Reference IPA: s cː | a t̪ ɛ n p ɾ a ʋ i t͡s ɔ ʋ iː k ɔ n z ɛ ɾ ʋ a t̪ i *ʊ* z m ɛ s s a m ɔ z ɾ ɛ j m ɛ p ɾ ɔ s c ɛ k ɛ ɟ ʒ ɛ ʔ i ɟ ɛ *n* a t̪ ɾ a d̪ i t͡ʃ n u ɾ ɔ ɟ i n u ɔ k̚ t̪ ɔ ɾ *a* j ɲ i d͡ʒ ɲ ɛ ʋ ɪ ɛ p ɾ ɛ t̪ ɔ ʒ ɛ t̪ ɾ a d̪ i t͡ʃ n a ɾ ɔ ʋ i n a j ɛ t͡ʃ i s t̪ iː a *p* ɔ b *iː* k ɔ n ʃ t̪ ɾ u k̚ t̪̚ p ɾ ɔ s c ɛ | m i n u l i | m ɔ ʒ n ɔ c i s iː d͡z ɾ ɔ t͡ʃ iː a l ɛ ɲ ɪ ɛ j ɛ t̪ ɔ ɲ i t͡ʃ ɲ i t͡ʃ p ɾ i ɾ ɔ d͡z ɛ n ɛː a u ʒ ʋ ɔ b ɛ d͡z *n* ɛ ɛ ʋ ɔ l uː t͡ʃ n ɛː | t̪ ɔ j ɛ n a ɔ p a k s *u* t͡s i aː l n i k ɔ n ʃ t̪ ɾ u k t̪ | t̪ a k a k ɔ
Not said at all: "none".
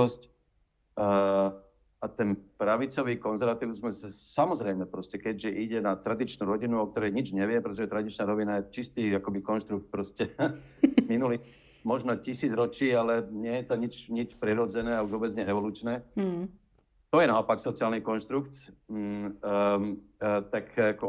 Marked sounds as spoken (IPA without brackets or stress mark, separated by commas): ʊ, n, ɛ, k, i, ɲ, ɔ